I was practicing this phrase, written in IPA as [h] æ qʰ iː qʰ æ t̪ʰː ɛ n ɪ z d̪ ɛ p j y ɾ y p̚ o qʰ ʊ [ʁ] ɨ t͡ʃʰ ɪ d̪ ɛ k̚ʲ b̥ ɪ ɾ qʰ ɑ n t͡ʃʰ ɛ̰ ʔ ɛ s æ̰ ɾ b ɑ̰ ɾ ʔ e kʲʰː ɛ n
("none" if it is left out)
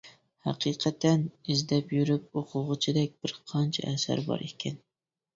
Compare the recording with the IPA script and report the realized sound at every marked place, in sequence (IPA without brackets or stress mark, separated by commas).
h, ʁ